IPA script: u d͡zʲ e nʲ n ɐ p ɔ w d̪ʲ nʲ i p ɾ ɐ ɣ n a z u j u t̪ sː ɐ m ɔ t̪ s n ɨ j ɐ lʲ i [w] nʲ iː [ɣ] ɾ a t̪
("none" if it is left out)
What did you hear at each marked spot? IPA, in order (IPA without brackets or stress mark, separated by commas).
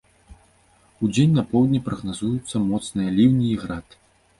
w, ɣ